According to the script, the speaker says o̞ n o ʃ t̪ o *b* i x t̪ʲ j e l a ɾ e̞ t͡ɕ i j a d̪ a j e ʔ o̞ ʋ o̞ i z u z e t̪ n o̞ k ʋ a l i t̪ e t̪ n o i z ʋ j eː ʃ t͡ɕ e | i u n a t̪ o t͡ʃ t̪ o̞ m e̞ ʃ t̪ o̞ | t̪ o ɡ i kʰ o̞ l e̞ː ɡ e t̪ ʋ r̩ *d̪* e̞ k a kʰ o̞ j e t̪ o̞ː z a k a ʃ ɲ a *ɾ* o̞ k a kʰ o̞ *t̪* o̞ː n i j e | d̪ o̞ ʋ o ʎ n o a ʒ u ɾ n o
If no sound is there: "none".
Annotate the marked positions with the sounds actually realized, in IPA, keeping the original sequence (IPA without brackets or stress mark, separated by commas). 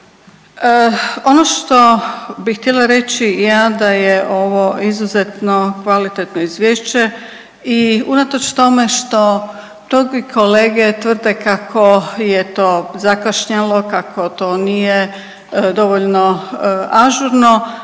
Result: b, d̪, l, t̪